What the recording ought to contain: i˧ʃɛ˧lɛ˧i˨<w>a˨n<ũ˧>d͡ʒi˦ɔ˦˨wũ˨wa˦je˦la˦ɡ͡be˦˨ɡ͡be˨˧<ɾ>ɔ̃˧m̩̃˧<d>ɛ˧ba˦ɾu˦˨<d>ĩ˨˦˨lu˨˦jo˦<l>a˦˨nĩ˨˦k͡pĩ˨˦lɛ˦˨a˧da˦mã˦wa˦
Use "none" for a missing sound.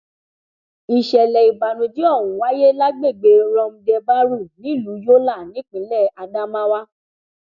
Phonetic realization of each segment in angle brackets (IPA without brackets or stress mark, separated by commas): b, ũ˧, ɾ, d, n, l